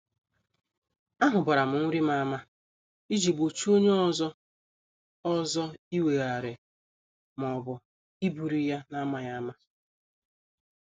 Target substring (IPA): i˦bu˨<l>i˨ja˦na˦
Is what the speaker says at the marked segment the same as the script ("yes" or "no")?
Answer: no